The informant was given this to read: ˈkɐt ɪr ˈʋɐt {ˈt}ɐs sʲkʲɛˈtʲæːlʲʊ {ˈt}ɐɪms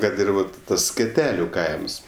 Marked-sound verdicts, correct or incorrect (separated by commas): correct, incorrect